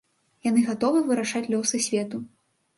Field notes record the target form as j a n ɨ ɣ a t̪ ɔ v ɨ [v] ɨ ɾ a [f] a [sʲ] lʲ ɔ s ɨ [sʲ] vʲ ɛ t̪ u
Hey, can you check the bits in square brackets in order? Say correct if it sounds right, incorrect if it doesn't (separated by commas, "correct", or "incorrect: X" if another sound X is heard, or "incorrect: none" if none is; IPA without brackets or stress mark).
correct, incorrect: ʂ, incorrect: t͡sʲ, correct